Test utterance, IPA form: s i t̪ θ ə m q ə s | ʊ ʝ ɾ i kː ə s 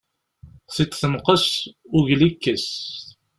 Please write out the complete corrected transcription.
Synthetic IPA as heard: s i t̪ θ ə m q ə s | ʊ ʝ l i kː ə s